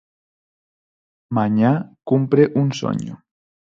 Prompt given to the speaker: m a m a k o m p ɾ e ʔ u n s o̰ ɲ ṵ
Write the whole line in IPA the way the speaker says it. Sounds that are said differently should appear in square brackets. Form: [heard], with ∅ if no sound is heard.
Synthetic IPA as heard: m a [ɲ] a k [u] m p ɾ e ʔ u n s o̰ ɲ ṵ